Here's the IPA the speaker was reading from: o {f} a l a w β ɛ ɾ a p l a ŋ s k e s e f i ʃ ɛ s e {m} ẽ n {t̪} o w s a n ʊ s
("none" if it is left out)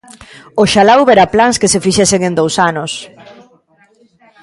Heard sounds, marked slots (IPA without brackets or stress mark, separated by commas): ʃ, ŋ, d̪